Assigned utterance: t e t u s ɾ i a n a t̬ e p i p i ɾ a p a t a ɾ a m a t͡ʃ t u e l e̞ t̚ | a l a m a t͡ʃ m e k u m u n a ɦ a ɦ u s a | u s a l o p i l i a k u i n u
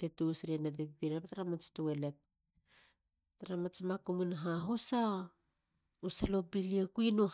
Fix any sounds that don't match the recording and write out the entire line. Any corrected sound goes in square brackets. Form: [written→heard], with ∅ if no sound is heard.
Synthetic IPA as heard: t e t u s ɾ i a n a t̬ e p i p i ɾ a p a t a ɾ a m a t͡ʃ t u e l e̞ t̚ | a [l→ɾ] a m a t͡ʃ m [e→a] k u m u n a ɦ a ɦ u s a | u s a l o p i l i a k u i n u